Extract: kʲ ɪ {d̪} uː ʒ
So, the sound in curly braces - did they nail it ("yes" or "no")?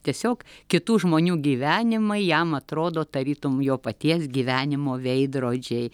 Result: no